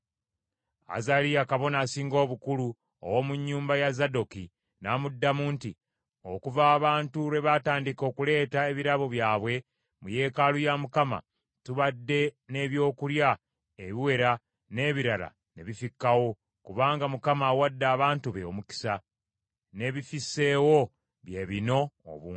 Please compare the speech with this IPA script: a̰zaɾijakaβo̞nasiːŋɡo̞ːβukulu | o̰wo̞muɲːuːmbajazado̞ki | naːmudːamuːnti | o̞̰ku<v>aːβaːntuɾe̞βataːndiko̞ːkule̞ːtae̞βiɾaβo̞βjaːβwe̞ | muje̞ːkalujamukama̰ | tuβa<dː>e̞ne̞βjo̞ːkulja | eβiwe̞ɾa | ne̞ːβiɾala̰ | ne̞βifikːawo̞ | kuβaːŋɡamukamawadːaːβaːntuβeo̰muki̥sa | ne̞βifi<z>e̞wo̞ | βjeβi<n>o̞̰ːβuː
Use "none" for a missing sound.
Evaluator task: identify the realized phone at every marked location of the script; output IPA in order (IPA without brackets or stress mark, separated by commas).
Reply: v, dː, s, n